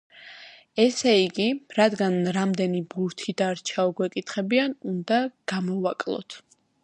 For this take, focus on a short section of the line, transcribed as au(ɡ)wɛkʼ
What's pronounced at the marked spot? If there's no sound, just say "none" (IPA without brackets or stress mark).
ɡ